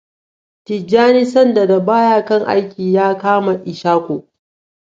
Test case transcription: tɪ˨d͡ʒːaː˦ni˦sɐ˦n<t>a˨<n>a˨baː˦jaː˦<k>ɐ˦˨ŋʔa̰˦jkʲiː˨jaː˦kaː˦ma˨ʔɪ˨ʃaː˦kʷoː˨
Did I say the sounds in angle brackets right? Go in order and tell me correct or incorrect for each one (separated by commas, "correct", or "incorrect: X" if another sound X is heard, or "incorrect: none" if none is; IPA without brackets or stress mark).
incorrect: d, incorrect: d, correct